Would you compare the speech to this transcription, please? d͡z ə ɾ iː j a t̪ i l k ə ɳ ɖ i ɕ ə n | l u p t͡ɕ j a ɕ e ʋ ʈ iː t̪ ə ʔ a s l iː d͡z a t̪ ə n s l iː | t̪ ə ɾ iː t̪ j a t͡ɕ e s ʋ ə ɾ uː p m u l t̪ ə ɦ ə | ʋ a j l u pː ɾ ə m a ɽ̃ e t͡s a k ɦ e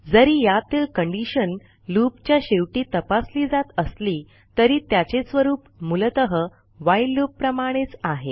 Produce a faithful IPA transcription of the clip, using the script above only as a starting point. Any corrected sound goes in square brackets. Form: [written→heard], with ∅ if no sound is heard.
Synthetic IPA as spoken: d͡z ə ɾ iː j a t̪ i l k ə ɳ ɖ i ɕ ə n | l u p t͡ɕ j a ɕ e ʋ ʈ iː t̪ ə [ʔ→p] a s l iː d͡z a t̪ ə [n→∅] s l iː | t̪ ə ɾ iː t̪ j a t͡ɕ e s ʋ ə ɾ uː p m u l t̪ ə ɦ ə | ʋ a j l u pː ɾ ə m a ɽ̃ e t͡s a [k→∅] ɦ e